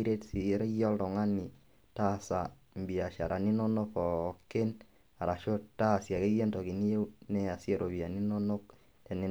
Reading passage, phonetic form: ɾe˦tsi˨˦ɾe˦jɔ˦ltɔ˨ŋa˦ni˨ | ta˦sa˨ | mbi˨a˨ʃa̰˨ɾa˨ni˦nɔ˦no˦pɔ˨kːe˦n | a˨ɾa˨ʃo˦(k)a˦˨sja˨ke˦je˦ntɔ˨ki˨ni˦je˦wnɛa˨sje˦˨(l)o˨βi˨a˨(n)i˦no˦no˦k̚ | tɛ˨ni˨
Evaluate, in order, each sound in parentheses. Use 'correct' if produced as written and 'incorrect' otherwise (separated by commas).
incorrect, incorrect, correct